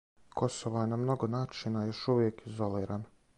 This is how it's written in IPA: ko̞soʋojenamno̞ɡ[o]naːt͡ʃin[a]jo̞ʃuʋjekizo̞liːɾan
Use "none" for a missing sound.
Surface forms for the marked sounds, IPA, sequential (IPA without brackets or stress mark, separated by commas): o, a